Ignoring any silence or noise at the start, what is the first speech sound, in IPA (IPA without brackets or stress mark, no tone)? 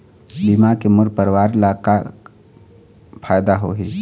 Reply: b